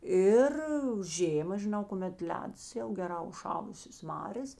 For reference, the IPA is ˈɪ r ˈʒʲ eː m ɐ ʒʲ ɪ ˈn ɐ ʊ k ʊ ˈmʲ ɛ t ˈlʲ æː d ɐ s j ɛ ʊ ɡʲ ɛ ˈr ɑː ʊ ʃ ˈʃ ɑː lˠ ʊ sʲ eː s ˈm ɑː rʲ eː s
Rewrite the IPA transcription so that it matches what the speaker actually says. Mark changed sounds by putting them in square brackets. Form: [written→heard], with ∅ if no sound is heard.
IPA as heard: ˈɪ r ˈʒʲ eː m ɐ ʒʲ ɪ ˈn ɐ ʊ k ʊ ˈmʲ ɛ t ˈlʲ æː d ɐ s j ɛ ʊ ɡʲ ɛ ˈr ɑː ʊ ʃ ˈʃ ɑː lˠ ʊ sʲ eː s ˈm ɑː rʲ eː s